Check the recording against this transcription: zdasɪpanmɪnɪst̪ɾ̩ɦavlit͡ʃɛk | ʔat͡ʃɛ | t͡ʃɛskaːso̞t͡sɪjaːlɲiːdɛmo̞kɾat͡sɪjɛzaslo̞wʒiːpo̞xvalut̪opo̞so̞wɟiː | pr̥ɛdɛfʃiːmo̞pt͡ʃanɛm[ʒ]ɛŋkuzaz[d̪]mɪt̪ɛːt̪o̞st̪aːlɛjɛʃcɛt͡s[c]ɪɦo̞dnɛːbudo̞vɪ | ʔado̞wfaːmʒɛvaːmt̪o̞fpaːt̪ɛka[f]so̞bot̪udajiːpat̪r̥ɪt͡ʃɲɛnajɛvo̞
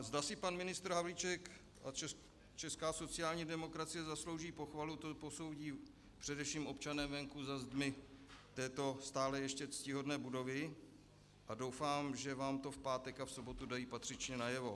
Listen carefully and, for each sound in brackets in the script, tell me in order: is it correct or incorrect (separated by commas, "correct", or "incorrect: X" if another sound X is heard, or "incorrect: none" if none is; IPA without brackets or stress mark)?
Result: incorrect: v, correct, correct, correct